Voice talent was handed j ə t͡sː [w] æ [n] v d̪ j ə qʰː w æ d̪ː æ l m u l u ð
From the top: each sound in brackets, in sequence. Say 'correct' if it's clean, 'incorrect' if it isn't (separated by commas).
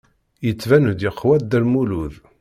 incorrect, correct